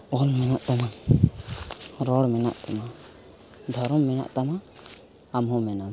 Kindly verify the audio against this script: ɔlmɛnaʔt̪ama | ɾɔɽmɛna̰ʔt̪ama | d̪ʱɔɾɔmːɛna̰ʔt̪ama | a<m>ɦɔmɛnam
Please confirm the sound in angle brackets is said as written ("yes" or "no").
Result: yes